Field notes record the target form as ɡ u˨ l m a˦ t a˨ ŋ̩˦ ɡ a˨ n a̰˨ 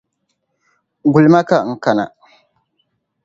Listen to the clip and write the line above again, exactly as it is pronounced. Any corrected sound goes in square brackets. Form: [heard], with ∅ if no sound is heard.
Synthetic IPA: ɡ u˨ l m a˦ [k] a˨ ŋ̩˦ [k] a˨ n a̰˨